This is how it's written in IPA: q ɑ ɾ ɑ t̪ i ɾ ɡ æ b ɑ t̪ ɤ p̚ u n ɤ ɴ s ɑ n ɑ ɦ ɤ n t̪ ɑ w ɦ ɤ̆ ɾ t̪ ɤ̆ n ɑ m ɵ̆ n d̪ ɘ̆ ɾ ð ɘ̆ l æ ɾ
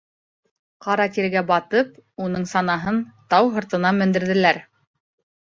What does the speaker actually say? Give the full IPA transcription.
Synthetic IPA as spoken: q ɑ ɾ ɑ t̪ i ɾ ɡ æ b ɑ t̪ ɤ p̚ u n ɤ ɴ s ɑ n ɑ ɦ ɤ n t̪ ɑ w ɦ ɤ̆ ɾ t̪ ɤ̆ n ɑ m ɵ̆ n d̪ ɘ̆ ɾ ð ɘ̆ l æ ɾ